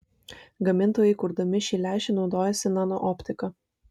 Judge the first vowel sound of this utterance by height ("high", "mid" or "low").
low